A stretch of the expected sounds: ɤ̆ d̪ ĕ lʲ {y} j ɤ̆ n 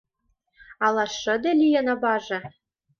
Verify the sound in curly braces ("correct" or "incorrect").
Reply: incorrect